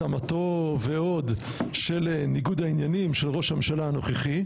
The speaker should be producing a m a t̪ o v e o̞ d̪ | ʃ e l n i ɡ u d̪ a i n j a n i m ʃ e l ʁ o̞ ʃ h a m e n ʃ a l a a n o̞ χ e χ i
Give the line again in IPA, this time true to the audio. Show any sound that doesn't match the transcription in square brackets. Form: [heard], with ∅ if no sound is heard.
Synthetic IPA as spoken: a m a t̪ o v e o̞ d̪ | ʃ e l n i ɡ u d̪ a i n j a n i m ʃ e l ʁ o̞ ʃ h a m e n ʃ a l a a n o̞ χ e χ i